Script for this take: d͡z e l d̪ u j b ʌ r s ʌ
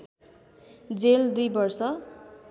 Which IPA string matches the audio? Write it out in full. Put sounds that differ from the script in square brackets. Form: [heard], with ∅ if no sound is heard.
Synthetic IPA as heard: d͡z e l d̪ u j b ʌ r s ʌ